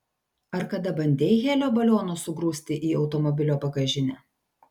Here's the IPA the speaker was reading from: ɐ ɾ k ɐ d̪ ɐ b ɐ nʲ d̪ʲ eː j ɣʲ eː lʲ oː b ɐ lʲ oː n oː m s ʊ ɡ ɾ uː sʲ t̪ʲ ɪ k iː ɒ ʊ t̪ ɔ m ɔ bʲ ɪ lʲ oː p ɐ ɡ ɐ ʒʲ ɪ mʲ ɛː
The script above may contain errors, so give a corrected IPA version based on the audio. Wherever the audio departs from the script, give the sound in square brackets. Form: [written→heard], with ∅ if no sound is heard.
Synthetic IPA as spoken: ɐ ɾ k ɐ d̪ ɐ b ɐ nʲ d̪ʲ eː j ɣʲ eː lʲ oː b ɐ lʲ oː n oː [m→∅] s ʊ ɡ ɾ uː sʲ t̪ʲ ɪ [k→ʔ] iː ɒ ʊ t̪ ɔ m ɔ bʲ ɪ lʲ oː p ɐ ɡ ɐ ʒʲ ɪ [mʲ→nʲ] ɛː